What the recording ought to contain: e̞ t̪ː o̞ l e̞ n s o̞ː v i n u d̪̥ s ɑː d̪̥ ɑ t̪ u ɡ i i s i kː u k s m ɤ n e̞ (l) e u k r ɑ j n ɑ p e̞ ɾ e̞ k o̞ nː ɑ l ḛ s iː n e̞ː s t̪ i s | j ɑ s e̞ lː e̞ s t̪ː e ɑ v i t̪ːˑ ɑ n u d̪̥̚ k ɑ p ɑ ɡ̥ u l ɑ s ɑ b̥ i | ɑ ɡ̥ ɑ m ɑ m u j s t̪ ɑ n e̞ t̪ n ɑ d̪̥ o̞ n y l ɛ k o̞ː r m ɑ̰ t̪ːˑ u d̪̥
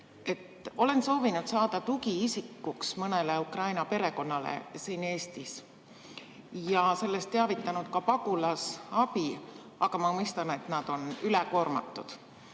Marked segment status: correct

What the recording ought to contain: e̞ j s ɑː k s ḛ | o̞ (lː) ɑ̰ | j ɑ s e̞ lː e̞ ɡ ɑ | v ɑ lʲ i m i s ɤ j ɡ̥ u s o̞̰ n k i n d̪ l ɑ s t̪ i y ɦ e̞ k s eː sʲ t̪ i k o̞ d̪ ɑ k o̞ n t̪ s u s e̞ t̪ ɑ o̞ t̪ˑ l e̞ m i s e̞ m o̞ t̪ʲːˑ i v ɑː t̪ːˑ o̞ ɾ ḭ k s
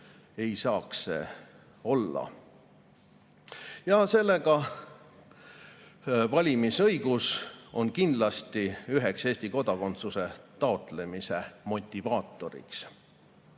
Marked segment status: correct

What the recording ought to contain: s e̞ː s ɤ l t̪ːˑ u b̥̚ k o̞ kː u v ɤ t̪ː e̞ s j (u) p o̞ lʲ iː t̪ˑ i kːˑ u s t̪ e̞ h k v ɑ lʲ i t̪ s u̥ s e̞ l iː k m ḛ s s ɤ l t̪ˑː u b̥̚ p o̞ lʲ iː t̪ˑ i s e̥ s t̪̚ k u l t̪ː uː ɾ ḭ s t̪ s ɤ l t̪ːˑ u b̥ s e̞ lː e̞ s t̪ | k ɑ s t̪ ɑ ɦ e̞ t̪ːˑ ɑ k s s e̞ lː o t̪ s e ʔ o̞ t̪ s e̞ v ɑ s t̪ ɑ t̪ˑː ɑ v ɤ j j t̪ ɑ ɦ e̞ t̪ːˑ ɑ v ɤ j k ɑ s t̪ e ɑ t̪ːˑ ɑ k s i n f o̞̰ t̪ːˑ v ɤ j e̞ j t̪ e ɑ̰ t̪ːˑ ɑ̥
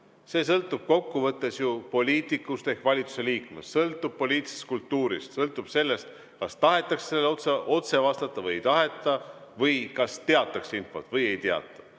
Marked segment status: correct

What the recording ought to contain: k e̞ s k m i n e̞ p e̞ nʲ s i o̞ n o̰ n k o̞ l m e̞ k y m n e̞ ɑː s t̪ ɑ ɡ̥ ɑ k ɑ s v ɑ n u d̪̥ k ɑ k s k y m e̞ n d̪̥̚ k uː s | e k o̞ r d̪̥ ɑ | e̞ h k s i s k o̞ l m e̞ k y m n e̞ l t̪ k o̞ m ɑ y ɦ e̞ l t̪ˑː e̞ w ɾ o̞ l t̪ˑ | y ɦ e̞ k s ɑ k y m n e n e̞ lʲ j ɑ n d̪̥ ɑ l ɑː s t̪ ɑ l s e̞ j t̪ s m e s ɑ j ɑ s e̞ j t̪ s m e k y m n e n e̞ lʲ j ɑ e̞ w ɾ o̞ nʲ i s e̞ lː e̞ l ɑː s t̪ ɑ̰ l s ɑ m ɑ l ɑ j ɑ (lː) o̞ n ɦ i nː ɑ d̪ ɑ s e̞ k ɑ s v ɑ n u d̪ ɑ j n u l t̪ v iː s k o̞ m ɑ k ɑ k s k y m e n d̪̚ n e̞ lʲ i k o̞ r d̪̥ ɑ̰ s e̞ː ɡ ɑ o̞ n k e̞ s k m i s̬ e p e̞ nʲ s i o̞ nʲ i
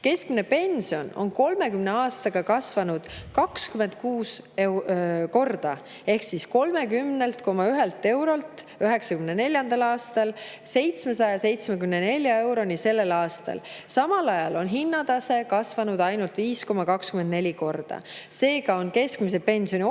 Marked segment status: incorrect: l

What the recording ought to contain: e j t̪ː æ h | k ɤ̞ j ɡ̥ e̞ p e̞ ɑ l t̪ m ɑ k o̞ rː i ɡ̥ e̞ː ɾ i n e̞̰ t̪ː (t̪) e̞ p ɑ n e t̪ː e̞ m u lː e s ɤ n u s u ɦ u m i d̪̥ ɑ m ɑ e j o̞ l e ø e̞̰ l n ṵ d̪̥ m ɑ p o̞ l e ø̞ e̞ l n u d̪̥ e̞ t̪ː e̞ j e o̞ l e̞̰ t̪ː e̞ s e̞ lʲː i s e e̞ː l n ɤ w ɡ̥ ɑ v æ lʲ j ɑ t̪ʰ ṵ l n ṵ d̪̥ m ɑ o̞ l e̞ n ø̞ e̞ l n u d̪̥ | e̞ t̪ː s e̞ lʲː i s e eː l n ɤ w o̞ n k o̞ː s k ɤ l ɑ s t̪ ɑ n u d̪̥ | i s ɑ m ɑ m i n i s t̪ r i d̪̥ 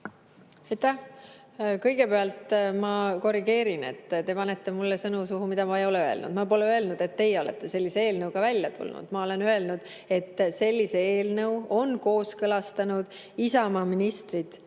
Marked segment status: correct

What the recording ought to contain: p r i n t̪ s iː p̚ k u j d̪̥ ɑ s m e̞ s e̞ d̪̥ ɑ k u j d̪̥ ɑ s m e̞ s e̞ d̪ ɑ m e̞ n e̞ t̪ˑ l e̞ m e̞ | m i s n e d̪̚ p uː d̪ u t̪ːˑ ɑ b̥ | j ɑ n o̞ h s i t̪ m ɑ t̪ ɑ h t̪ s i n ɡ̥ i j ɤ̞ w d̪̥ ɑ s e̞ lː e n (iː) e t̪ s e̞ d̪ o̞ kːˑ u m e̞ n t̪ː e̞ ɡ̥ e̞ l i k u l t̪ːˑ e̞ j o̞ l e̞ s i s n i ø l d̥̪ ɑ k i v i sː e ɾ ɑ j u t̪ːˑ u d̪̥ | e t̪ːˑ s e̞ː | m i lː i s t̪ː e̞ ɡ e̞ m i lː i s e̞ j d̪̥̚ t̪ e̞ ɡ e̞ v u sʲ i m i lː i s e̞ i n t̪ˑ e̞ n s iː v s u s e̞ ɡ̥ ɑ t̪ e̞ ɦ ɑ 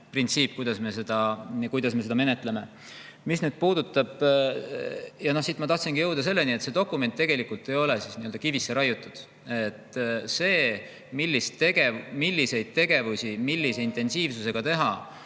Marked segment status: incorrect: i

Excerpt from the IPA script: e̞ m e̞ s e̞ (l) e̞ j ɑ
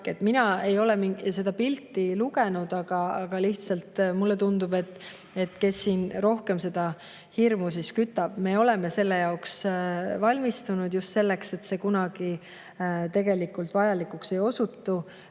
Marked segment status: incorrect: lː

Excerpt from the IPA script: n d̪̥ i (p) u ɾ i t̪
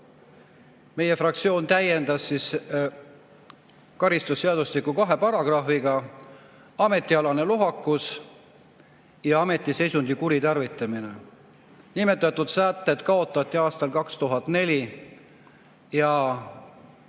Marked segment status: incorrect: k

